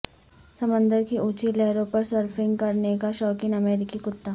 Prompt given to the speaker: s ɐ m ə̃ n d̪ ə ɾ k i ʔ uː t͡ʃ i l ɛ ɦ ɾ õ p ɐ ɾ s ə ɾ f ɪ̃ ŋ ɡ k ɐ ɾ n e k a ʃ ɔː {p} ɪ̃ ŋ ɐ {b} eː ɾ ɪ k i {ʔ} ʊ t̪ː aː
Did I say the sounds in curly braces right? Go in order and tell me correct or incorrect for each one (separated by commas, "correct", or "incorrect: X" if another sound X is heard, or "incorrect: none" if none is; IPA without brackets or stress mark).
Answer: incorrect: k, incorrect: m, incorrect: k